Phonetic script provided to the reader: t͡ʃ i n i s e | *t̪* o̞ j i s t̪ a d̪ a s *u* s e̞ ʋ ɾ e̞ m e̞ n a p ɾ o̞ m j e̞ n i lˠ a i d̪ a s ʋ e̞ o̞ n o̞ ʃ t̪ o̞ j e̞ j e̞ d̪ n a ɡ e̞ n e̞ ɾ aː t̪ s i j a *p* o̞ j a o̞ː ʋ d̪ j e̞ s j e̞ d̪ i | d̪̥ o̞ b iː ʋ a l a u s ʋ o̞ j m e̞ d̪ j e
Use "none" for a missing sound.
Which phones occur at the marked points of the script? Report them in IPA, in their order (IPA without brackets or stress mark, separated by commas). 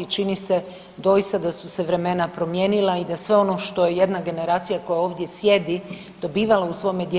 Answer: d̪, u, k